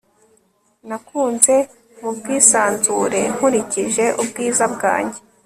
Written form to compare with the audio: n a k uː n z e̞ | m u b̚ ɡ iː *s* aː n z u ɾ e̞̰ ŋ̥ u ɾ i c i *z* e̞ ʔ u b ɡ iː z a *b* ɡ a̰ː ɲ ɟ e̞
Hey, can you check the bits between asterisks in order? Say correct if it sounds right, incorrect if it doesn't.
correct, incorrect: ʒ, correct

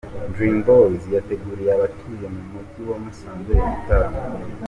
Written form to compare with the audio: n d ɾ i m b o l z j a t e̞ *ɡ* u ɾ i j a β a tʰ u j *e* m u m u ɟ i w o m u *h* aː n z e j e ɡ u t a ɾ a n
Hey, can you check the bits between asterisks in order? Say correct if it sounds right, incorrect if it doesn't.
correct, correct, incorrect: s

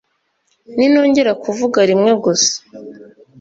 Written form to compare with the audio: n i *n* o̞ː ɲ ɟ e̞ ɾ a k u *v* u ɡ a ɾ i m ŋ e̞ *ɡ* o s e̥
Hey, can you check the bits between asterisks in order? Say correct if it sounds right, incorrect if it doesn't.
correct, correct, correct

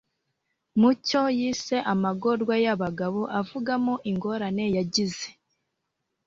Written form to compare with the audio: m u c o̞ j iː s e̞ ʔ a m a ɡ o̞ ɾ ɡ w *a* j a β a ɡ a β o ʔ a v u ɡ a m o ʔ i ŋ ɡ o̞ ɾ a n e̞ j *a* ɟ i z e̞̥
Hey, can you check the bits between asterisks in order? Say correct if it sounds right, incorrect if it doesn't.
correct, correct

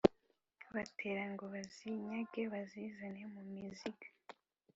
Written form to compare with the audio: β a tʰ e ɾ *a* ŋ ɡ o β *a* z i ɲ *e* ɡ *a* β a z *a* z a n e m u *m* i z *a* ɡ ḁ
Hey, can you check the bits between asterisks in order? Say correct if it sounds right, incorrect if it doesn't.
correct, correct, incorrect: a, incorrect: e, incorrect: i, correct, incorrect: i

